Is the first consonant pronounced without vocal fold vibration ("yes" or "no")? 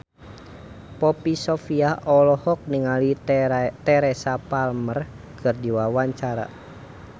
yes